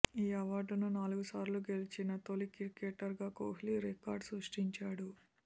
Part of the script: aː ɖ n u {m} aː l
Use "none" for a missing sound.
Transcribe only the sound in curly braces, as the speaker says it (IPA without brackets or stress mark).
n